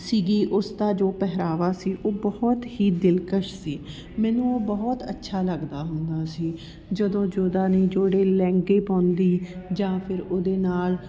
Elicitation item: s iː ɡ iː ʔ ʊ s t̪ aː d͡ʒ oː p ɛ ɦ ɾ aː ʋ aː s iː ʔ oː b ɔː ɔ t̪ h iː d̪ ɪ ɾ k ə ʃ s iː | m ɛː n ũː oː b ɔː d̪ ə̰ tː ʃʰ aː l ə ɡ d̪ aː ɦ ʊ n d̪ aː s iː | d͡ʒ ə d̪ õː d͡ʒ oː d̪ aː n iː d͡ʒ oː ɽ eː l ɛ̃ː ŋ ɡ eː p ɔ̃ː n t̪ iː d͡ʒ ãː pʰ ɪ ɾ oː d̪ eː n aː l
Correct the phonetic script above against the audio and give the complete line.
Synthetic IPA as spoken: s iː ɡ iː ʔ ʊ s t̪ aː d͡ʒ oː p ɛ ɦ ɾ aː ʋ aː s iː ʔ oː b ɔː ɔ t̪ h iː d̪ ɪ l k ə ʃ s iː | m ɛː n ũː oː b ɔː t̪ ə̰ tː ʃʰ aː l ə ɡ d̪ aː ɦ ʊ n d̪ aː s iː | d͡ʒ ə d̪ õː d͡ʒ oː d̪ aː n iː d͡ʒ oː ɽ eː l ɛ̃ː ŋ ɡ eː p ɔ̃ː n d̪ iː d͡ʒ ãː pʰ ɪ ɾ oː d̪ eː n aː l